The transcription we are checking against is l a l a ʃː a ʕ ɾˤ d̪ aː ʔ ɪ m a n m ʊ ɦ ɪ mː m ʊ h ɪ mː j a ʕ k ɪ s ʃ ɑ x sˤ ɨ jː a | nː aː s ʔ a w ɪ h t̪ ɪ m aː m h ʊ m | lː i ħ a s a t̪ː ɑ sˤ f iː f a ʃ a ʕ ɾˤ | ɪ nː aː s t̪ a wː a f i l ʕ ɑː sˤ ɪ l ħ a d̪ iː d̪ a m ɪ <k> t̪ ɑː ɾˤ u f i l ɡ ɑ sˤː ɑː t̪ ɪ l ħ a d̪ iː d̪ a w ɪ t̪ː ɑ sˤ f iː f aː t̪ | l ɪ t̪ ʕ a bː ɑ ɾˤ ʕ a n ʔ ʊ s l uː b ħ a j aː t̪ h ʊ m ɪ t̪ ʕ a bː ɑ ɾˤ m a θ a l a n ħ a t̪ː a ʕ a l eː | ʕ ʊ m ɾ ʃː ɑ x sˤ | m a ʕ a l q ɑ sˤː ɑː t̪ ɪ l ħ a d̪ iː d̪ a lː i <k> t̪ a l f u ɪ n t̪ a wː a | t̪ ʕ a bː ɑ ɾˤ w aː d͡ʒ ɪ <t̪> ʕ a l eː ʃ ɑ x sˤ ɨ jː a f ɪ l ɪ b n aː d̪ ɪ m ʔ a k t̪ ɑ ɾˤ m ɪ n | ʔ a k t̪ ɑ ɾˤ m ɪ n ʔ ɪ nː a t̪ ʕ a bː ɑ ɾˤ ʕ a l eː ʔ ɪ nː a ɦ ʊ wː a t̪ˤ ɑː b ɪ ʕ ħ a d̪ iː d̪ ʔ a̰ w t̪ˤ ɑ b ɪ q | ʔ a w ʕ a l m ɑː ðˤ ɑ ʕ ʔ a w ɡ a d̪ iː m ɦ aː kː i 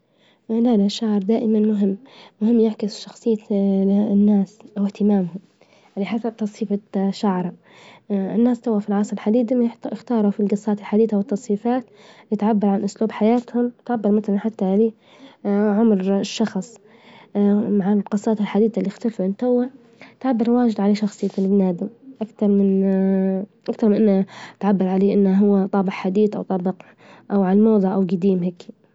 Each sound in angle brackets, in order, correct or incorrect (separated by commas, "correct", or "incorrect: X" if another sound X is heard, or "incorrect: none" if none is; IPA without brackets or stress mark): incorrect: x, incorrect: x, incorrect: d̪